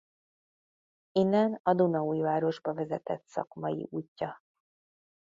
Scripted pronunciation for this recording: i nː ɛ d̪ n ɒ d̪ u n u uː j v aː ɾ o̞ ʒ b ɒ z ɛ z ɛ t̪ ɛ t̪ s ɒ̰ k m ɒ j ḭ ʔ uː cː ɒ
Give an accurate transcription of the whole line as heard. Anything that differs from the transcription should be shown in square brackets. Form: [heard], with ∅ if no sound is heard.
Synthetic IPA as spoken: i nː ɛ [∅] n ɒ d̪ u n [ɒ] uː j v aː ɾ o̞ ʒ b ɒ [v] ɛ z ɛ t̪ ɛ t̪ s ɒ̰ k m ɒ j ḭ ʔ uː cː ɒ